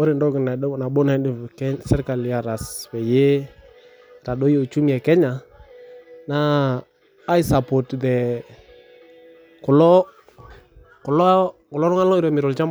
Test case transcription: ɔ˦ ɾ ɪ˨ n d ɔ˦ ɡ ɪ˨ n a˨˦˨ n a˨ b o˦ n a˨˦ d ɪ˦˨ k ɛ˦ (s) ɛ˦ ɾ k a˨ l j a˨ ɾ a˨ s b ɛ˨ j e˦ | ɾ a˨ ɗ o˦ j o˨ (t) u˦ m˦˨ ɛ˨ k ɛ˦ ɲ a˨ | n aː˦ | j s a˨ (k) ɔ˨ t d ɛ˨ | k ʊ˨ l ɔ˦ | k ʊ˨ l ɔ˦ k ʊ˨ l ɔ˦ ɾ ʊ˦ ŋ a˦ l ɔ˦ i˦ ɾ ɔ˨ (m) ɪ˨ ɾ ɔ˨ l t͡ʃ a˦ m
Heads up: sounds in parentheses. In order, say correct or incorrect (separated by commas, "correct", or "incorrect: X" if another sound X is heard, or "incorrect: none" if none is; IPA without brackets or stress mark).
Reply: correct, incorrect: t͡ʃ, incorrect: p, correct